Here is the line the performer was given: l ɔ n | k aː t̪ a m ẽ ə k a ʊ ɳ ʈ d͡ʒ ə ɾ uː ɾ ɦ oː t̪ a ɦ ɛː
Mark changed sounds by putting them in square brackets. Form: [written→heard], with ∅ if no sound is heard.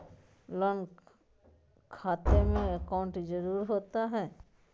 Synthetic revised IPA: l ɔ n | [k→kʰ] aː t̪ [a→e] m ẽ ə k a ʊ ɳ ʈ d͡ʒ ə ɾ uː ɾ ɦ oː t̪ a ɦ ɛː